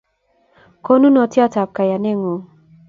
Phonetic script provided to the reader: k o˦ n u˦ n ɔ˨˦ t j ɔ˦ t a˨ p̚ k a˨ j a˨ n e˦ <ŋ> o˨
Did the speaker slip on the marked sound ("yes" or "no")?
no